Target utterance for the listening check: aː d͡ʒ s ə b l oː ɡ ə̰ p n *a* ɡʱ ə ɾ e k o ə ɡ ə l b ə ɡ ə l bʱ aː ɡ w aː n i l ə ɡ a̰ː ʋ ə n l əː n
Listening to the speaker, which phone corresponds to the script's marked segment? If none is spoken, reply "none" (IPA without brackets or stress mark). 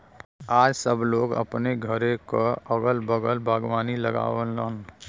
e